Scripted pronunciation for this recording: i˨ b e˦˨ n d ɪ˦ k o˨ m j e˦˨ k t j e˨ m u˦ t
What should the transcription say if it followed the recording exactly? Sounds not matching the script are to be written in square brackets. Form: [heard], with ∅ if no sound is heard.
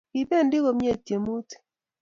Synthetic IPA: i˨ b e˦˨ n d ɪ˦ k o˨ m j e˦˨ [∅] t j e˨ m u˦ t